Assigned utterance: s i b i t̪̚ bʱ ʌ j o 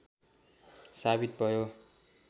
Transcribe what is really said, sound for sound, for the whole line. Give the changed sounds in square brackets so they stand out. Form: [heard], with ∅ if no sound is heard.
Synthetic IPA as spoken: s [a] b i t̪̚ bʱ ʌ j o